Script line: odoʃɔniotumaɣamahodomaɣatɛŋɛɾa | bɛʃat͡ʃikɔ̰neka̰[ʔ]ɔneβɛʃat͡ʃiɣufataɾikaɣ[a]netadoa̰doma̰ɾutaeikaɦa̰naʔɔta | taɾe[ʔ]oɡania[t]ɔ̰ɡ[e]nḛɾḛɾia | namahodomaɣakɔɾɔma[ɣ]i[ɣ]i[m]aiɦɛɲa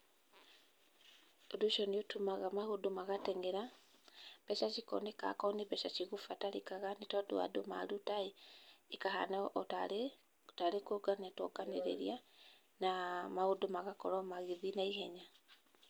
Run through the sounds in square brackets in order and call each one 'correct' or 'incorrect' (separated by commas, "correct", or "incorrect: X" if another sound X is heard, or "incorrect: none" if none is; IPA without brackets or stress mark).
incorrect: k, correct, incorrect: k, correct, incorrect: a, correct, incorrect: ð, incorrect: n